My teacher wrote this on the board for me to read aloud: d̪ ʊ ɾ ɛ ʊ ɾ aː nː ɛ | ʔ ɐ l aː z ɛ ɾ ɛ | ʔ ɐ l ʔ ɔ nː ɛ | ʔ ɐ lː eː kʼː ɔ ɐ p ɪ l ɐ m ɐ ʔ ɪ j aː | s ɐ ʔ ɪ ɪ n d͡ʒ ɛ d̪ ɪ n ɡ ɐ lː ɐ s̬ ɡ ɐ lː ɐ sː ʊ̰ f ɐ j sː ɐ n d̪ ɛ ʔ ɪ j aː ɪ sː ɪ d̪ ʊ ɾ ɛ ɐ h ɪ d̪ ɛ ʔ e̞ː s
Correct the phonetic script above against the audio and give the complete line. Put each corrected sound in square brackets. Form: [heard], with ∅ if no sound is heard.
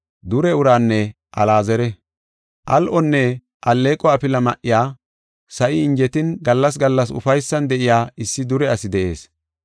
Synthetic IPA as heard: d̪ ʊ ɾ ɛ ʊ ɾ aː nː ɛ | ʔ ɐ l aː z ɛ ɾ ɛ | ʔ ɐ l ʔ ɔ nː ɛ | ʔ ɐ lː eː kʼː ɔ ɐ p ɪ l ɐ m ɐ ʔ ɪ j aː | s ɐ ʔ ɪ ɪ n d͡ʒ ɛ [t̪] ɪ n ɡ ɐ lː ɐ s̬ ɡ ɐ lː ɐ [s] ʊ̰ f ɐ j sː ɐ n d̪ ɛ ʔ ɪ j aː ɪ sː ɪ d̪ ʊ ɾ ɛ ɐ [s] ɪ d̪ ɛ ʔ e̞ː s